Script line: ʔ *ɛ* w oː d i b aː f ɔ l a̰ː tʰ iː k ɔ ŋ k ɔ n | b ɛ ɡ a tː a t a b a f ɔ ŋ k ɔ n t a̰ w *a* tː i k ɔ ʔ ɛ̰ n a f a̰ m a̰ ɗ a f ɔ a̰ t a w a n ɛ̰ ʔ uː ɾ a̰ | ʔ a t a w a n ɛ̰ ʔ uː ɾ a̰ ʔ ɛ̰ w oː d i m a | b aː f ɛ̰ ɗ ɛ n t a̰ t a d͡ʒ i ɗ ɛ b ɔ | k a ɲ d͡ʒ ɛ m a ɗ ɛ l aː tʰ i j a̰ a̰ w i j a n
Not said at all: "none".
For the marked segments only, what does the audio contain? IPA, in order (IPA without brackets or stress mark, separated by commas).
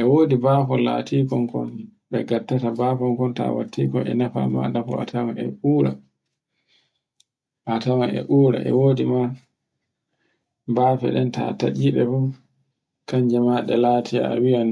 ɛ, a